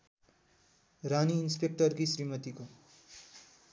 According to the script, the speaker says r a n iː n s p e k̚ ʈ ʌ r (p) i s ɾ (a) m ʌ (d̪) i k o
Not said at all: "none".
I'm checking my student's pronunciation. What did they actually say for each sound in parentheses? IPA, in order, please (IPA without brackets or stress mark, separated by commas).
k, i, t̪